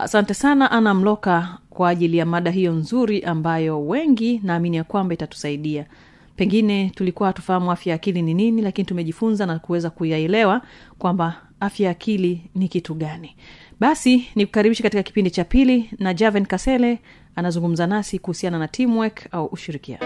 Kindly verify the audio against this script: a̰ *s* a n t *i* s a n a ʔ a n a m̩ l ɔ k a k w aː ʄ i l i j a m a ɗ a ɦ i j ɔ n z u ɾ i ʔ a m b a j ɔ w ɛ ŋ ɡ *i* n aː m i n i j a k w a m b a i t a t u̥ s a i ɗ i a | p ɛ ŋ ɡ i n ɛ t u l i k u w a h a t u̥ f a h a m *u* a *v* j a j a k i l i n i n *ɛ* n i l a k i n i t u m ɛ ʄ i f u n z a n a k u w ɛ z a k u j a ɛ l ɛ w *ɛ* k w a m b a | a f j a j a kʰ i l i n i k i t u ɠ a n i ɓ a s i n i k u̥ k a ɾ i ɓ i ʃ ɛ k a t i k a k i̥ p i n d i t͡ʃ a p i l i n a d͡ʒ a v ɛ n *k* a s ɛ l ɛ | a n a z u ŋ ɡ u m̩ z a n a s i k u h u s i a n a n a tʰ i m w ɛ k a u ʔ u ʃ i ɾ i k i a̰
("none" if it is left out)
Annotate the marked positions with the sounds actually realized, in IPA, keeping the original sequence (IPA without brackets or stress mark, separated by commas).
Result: s, ɛ, i, u, f, i, a, k